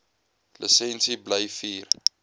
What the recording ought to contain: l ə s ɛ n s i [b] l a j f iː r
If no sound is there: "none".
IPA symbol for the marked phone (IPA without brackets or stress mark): b